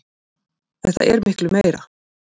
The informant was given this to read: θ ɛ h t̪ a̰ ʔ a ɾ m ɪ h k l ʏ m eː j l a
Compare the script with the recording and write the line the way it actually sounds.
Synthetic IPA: θ ɛ h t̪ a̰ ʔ ɛ ɾ m ɪ h k l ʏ m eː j ɾ a